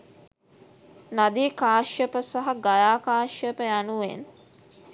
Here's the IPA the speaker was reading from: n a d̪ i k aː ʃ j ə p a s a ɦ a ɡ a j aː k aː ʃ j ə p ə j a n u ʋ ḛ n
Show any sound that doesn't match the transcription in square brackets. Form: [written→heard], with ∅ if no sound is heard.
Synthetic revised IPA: n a d̪ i k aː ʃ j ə p [a→ə] s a ɦ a ɡ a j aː k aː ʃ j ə p ə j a n u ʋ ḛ n